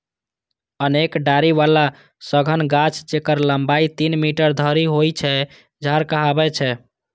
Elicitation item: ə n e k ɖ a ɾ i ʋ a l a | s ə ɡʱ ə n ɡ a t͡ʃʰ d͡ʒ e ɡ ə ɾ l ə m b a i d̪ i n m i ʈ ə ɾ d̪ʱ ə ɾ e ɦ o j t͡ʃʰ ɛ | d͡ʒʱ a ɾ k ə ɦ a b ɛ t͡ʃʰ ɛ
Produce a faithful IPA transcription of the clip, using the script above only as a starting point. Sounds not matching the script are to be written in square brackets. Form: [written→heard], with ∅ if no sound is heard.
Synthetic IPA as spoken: ə n e k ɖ a ɾ i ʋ a l a | s ə ɡʱ ə n ɡ a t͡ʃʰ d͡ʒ e [ɡ→k] ə ɾ l ə m b a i [d̪→t̪] i n m i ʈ ə ɾ d̪ʱ ə ɾ [e→i] ɦ o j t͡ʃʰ ɛ | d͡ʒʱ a ɾ k ə ɦ a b ɛ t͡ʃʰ ɛ

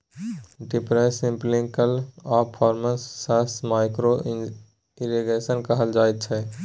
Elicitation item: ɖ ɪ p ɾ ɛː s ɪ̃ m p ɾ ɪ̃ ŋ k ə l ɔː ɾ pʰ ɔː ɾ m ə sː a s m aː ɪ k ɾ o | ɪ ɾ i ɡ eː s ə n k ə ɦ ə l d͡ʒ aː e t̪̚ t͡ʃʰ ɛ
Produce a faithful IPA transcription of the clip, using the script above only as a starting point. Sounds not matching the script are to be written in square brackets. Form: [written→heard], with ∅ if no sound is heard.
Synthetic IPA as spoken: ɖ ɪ p ɾ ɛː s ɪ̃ m p [ɾ→l] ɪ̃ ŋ k ə l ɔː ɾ pʰ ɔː ɾ m ə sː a s m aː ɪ k ɾ o | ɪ ɾ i ɡ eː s ə n k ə ɦ ə l d͡ʒ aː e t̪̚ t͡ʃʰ ɛ

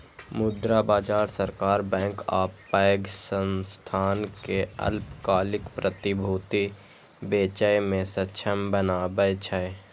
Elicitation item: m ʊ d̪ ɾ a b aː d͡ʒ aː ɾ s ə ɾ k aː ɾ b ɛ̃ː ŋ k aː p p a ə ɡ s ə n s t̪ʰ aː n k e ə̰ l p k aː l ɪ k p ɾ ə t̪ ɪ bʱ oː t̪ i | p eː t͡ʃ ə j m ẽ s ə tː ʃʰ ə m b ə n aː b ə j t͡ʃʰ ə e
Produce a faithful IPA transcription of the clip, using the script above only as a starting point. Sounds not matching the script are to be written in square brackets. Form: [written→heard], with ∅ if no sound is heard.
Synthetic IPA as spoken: m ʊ d̪ ɾ a b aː d͡ʒ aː ɾ s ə ɾ k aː ɾ b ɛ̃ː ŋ k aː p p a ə ɡ s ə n s t̪ʰ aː n k e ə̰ l p k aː l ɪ k p ɾ ə t̪ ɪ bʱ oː t̪ i | [p→b] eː t͡ʃ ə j m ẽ s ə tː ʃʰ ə m b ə n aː b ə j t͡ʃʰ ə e

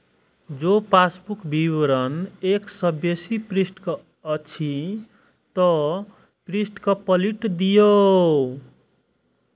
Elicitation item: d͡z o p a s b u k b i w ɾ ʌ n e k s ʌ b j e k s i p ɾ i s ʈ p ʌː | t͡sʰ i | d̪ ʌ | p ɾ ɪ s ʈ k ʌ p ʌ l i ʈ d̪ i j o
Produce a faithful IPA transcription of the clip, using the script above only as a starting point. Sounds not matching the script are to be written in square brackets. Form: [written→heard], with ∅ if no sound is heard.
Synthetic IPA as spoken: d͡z o p a s b u k b i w ɾ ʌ n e k s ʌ b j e [k→∅] s i p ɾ i s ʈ [p→k] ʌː | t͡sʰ i | [d̪→t̪] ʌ | p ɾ [ɪ→i] s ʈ k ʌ p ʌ l i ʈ d̪ i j o

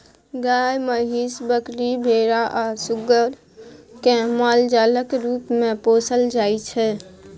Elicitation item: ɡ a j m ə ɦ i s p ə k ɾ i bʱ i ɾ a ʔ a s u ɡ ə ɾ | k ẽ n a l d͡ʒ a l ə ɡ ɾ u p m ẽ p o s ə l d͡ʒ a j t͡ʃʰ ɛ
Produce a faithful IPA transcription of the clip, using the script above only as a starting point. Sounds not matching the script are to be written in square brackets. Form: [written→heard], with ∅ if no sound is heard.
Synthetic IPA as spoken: ɡ a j m ə ɦ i s [p→b] ə k ɾ i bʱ [i→e] ɾ a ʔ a s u ɡ ə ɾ | k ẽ [n→m] a l d͡ʒ a l ə [ɡ→k] ɾ u p m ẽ p o s ə l d͡ʒ a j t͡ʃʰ ɛ

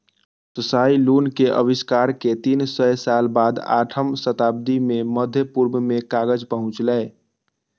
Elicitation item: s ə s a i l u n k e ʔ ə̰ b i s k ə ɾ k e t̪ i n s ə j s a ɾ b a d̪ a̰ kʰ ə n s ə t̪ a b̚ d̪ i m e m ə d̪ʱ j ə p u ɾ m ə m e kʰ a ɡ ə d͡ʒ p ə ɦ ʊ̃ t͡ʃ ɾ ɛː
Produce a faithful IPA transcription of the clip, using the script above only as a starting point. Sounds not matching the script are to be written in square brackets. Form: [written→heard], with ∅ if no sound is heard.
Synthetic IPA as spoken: s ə s a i l u n k e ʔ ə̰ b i s k [ə→a] ɾ k e t̪ i n s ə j s a [ɾ→l] b a d̪ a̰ [kʰ→ʈʰ] ə [n→m] s ə t̪ a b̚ d̪ i m e m ə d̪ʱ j ə p u ɾ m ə m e [kʰ→k] a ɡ ə d͡ʒ p ə ɦ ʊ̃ t͡ʃ [ɾ→l] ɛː

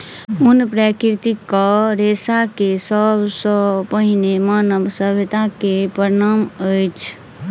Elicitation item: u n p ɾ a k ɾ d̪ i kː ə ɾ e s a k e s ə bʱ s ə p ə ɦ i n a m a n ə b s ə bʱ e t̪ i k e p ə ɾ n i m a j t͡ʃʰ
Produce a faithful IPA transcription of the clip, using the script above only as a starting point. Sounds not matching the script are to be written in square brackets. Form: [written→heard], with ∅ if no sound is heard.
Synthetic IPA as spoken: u n p ɾ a k ɾ [d̪→t̪] i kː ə ɾ e s a k e s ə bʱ s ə p ə ɦ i n [a→e] m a n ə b s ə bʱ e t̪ [i→a] k e p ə ɾ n [i→a] m [a→ə] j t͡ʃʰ

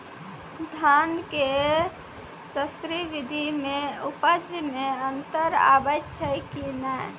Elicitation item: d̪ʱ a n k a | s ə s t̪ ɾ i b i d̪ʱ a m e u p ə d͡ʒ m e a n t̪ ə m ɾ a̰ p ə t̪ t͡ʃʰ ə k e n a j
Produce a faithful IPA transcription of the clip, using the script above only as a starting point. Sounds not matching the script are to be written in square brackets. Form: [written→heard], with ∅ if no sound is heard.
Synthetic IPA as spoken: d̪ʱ a n k [a→e] | s ə s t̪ ɾ i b i d̪ʱ [a→i] m e u p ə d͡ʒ m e [a→ə] n t̪ ə [m→∅] ɾ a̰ [p→b] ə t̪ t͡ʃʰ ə k [e→i] n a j

